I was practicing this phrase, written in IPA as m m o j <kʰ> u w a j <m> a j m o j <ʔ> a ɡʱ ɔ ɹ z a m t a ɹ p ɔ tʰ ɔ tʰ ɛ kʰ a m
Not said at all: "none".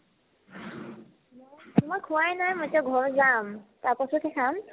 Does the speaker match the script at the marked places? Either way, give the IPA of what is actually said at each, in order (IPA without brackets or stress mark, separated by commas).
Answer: kʰ, n, t